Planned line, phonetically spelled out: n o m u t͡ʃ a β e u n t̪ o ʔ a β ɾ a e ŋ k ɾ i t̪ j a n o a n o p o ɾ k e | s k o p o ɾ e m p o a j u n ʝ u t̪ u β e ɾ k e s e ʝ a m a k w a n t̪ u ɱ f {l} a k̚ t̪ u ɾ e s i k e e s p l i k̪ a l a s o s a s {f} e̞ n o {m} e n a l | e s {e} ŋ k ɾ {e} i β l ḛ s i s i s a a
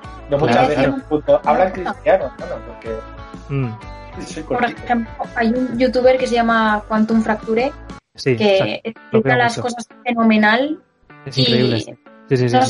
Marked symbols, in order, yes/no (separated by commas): no, yes, yes, no, yes